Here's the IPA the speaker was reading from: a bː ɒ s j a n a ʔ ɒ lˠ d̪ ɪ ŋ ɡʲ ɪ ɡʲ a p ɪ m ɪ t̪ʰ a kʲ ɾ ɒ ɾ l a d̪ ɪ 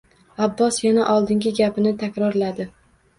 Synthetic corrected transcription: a bː ɒ s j a n a ʔ ɒ lˠ d̪ ɪ ŋ ɡʲ ɪ ɡʲ a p ɪ n ɪ t̪ʰ a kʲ ɾ ɒ ɾ l a d̪ ɪ